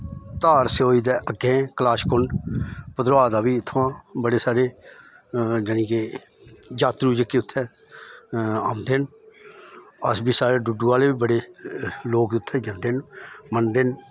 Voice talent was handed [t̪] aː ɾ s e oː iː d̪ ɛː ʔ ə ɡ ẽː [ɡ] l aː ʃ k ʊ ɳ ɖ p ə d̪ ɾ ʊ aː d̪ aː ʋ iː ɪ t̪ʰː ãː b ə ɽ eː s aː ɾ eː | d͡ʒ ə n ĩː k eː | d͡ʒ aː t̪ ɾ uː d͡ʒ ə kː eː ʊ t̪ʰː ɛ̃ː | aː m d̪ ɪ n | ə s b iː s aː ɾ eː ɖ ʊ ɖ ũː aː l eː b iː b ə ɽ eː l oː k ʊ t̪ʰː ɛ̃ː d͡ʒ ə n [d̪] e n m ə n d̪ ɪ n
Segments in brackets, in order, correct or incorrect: correct, incorrect: k, correct

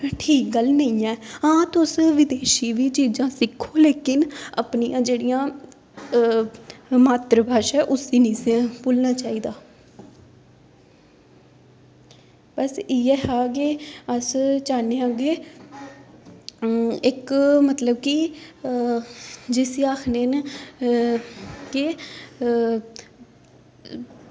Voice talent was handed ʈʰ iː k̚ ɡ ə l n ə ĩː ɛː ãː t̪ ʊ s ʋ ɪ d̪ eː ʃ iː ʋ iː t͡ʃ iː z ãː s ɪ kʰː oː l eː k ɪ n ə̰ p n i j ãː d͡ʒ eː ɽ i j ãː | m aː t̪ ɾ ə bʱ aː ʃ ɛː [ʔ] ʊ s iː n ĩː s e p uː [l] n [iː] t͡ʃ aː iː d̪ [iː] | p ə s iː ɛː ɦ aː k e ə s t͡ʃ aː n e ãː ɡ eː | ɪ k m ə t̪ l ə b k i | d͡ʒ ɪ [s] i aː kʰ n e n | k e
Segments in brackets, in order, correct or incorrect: correct, correct, incorrect: aː, incorrect: aː, correct

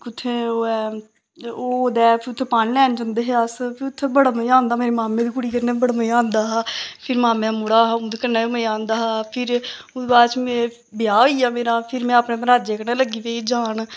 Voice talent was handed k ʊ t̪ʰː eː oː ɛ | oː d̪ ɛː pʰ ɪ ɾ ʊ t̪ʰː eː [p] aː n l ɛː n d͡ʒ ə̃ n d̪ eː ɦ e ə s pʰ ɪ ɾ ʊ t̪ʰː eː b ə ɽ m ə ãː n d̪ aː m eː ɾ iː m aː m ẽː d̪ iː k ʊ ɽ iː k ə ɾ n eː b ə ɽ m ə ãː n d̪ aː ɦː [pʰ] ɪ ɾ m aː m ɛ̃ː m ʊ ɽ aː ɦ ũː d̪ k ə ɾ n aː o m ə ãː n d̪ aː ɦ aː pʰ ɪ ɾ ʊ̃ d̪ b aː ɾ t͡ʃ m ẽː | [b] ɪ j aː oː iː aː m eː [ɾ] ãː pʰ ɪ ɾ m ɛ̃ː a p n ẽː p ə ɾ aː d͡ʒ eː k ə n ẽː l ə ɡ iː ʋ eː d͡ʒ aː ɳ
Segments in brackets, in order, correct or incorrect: correct, correct, correct, correct

